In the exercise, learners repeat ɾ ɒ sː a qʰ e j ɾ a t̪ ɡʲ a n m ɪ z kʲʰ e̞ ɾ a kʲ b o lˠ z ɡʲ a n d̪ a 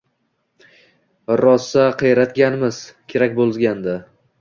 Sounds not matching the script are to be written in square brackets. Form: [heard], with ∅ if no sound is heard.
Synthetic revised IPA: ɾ ɒ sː a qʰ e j ɾ a t̪ ɡʲ a n m ɪ z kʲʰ e̞ ɾ a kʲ b o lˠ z ɡʲ a n d̪ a